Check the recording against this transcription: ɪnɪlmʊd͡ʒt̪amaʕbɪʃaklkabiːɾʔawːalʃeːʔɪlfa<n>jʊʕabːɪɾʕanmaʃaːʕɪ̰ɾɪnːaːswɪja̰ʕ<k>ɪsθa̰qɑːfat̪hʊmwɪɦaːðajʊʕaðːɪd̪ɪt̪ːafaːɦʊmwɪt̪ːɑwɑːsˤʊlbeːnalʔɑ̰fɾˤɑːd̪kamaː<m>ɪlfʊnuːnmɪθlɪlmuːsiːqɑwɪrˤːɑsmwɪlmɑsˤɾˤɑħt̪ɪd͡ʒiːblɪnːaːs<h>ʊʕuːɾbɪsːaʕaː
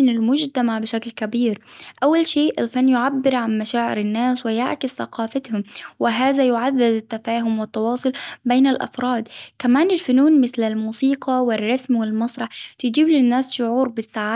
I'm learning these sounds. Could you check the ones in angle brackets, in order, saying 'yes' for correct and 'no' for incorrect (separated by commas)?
no, yes, no, no